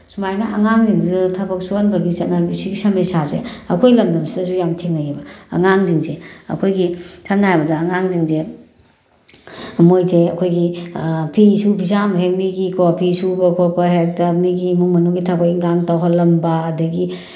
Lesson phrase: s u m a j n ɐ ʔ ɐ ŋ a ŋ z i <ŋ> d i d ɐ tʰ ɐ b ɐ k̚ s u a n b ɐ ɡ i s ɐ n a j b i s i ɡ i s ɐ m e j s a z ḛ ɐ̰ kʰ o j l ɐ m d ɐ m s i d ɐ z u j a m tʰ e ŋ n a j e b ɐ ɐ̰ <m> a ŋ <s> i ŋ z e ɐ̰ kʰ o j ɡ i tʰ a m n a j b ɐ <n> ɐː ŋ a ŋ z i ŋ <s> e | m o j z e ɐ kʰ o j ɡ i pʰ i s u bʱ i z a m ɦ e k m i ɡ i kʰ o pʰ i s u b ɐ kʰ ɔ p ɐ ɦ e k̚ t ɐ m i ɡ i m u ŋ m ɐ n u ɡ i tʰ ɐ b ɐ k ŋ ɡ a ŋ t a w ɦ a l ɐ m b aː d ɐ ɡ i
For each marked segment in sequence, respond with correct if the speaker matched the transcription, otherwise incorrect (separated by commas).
correct, incorrect, incorrect, incorrect, incorrect